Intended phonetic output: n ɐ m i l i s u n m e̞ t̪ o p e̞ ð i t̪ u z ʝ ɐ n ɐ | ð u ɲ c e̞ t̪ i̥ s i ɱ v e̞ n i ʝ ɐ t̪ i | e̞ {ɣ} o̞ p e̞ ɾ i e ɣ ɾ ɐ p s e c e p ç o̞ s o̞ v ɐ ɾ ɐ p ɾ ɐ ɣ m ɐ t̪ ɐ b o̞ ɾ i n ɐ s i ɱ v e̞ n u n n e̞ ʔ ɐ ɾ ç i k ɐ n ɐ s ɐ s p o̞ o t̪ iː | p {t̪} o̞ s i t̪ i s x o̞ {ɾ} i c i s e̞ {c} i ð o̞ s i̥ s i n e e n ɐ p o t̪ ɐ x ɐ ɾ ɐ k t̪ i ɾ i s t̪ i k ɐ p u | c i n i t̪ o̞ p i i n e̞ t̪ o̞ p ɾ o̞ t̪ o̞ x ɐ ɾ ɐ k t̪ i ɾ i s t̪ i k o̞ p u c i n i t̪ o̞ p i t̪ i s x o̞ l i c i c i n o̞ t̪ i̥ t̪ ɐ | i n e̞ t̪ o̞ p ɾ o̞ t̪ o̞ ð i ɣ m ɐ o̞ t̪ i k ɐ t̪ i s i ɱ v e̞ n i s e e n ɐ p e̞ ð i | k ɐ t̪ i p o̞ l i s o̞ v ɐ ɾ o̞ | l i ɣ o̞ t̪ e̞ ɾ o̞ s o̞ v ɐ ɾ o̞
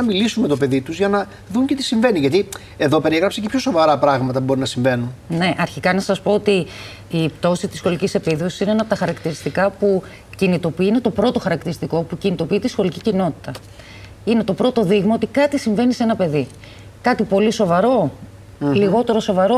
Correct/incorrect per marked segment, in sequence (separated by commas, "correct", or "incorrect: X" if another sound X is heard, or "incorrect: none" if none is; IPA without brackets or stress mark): incorrect: ð, correct, incorrect: l, incorrect: p